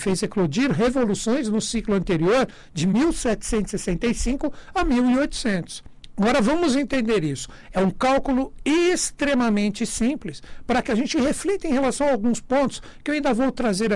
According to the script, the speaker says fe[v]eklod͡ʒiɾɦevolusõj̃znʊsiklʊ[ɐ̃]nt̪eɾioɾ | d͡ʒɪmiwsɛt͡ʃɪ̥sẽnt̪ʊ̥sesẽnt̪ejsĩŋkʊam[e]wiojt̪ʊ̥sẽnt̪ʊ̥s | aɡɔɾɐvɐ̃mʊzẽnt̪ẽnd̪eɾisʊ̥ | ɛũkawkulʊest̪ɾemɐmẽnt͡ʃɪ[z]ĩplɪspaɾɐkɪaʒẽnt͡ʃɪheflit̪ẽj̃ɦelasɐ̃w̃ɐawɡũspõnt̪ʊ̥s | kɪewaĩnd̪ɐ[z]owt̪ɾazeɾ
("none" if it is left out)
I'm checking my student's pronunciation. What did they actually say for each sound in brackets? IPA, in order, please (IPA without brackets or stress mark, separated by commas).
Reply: z, ɐ̃, i, s, v